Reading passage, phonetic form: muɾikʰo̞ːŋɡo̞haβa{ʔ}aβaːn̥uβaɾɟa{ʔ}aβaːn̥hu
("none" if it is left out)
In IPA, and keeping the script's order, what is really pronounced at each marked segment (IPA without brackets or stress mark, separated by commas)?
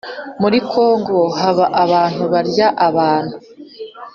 ʔ, ʔ